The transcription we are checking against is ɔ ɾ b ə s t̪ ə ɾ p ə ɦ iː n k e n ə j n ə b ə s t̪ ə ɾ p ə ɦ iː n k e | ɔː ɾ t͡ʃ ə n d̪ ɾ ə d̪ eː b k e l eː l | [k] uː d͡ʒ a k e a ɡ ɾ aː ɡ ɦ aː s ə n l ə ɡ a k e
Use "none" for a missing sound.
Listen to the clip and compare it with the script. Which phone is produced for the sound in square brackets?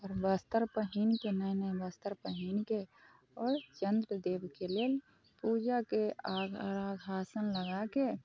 p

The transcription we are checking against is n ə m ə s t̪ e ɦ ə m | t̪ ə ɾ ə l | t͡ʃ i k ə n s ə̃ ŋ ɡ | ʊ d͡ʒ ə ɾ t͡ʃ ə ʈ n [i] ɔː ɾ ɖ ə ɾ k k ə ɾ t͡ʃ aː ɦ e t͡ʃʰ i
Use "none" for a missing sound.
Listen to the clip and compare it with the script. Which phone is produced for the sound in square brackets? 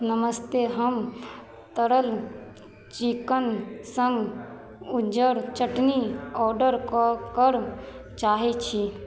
i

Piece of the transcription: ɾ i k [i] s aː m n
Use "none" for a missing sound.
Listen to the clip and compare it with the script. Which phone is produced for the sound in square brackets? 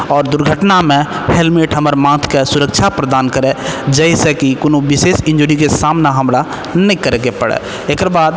e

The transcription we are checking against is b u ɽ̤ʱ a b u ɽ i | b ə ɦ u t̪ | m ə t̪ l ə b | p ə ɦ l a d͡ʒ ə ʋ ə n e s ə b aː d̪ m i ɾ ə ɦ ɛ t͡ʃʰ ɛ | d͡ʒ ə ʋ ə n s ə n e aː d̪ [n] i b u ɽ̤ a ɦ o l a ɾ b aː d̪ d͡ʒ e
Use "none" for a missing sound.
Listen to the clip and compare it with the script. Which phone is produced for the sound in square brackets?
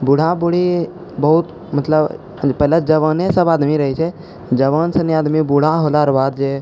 m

